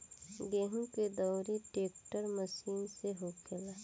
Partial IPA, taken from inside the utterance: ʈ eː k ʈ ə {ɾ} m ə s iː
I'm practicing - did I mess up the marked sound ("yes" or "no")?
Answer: no